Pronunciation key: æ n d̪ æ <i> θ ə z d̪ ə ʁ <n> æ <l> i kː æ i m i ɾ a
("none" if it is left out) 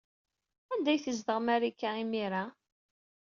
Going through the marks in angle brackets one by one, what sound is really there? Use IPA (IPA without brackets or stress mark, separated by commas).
j, m, ɾ